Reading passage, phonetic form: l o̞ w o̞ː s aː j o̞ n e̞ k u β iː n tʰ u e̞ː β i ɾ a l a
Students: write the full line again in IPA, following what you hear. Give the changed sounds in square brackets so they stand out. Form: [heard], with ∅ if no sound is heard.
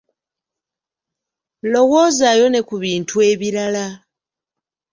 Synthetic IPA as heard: l o̞ w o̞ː [z] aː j o̞ n e̞ k u β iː n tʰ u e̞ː β i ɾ a l a